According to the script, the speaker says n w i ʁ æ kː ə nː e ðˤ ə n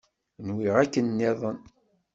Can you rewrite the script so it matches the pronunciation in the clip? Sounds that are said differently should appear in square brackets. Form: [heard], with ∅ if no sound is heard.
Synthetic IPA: n w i ʁ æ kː ə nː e ðˤ ə n